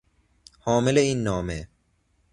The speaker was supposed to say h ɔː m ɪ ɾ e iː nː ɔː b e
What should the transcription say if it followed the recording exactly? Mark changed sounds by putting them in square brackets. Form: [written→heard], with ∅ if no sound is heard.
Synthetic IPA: h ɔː m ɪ [ɾ→l] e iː nː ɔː [b→m] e